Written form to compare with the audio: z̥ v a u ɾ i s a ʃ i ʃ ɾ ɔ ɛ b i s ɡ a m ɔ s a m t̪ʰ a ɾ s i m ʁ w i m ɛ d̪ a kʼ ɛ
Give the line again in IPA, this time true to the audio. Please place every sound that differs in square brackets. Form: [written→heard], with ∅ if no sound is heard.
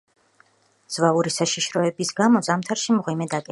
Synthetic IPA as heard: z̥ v a u ɾ i s a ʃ i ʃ ɾ ɔ ɛ b i s ɡ a m ɔ [s→z] a m t̪ʰ a ɾ [s→ʃ] i m ʁ w i m ɛ d̪ a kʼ ɛ